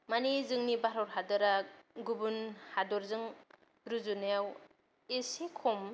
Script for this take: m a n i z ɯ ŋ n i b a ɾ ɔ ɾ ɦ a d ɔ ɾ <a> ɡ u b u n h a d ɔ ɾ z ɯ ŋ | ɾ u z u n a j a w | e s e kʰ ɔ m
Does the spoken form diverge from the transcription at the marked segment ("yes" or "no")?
no